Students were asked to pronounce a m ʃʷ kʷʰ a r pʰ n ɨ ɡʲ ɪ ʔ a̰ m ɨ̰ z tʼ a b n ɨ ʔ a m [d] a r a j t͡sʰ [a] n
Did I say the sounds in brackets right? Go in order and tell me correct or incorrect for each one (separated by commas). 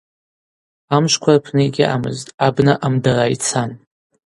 correct, correct